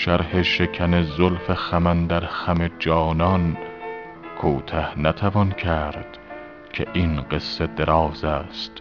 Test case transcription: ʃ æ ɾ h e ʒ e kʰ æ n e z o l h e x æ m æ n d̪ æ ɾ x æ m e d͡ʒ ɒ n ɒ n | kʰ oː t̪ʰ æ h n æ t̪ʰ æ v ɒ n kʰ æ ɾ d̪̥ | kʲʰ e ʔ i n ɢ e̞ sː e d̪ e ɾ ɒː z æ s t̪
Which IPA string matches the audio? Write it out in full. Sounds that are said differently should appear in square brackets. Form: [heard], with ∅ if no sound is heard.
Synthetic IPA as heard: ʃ æ ɾ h e [ʃ] e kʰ æ n e z o l [f] e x æ m æ n d̪ æ ɾ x æ m e d͡ʒ [ɒː] n ɒ n | kʰ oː t̪ʰ æ h n æ t̪ʰ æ v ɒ n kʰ æ ɾ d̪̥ | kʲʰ e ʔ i n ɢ e̞ sː e d̪ e ɾ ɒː z æ s t̪